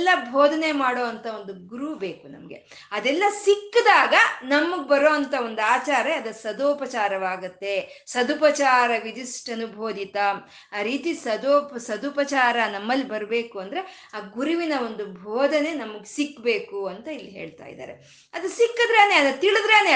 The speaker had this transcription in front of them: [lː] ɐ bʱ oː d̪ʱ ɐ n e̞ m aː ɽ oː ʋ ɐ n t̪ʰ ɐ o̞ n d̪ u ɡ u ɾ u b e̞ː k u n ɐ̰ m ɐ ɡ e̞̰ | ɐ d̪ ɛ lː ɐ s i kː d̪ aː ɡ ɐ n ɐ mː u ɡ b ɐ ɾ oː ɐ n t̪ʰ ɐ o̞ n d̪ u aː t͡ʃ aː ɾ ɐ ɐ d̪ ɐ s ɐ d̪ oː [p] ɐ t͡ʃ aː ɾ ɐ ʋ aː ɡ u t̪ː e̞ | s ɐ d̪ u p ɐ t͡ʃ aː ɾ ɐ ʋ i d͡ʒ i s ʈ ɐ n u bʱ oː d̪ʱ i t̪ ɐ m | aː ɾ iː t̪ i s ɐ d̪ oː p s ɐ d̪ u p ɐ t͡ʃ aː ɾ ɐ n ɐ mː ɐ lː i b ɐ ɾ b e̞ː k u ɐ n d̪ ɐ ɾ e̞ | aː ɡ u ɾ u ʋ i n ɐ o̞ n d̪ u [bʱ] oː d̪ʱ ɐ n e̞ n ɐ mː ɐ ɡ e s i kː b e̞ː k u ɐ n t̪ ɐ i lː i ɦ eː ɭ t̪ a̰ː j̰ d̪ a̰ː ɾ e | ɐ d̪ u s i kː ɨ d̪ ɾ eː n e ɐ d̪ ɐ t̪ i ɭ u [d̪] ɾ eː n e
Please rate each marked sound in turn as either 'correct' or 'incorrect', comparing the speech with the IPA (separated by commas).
correct, correct, correct, correct